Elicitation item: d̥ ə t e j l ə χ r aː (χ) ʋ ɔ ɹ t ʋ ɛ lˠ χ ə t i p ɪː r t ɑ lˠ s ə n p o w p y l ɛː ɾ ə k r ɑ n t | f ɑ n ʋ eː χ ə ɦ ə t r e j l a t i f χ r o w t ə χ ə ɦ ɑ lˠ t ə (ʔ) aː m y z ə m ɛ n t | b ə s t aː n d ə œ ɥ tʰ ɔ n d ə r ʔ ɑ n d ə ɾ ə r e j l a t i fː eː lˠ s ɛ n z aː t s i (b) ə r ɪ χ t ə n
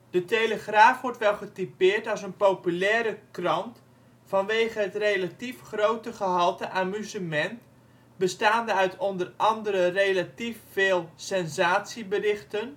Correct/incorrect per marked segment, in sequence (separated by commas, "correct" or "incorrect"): incorrect, correct, correct